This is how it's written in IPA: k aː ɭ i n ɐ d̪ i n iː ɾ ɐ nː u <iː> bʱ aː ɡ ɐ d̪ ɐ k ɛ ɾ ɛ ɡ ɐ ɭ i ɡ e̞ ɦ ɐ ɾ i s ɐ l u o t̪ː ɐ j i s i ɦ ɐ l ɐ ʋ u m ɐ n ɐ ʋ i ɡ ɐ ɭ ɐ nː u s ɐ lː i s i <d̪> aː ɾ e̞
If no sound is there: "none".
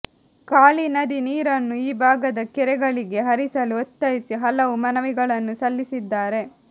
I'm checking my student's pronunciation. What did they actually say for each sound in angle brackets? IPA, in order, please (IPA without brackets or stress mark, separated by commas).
iː, d̪ː